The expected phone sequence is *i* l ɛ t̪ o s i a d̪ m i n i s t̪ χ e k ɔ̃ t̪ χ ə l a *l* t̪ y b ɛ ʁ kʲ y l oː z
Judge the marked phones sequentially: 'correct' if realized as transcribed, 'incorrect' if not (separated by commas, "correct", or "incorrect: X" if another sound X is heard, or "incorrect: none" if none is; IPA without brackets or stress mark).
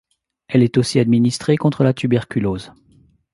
incorrect: ɛ, incorrect: none